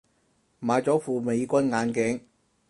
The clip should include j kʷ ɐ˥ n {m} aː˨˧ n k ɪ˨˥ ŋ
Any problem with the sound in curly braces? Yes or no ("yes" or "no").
yes